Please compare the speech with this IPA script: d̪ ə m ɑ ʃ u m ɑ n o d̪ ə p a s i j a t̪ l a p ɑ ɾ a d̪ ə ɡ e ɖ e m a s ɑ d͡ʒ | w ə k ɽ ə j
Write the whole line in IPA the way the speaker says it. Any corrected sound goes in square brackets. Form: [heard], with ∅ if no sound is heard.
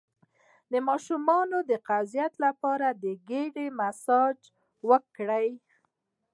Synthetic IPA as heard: d̪ ə m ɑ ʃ u m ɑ n o d̪ ə [q] a [z] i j a t̪ l a p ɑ ɾ a d̪ ə ɡ e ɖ e m a s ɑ d͡ʒ | w ə k ɽ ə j